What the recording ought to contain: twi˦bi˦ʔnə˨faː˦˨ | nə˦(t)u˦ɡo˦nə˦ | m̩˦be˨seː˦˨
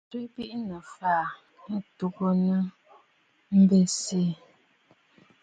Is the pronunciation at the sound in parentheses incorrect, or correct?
correct